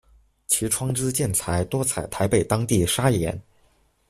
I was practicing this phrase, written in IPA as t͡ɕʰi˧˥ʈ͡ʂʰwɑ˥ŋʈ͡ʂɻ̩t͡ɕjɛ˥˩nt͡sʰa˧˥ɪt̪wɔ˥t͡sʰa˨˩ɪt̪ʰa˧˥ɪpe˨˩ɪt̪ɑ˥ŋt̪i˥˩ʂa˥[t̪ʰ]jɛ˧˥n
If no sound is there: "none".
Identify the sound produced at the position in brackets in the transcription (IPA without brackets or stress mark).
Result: none